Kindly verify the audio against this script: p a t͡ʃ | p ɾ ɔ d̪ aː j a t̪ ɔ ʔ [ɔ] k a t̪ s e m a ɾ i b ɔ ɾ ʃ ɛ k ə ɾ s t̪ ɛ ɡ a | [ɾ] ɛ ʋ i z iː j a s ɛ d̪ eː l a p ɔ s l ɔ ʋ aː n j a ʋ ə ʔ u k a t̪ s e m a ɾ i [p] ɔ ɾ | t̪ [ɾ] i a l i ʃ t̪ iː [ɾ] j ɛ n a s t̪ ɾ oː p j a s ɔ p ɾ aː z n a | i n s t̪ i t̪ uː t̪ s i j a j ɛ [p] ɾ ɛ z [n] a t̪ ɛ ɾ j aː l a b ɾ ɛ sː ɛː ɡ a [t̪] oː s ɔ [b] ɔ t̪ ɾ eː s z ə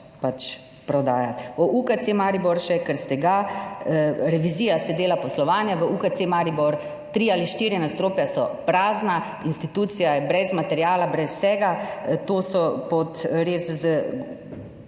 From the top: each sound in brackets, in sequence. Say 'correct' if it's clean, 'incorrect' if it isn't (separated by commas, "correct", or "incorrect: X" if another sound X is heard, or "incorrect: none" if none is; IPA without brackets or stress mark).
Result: incorrect: u, correct, incorrect: b, correct, correct, incorrect: b, incorrect: m, correct, incorrect: p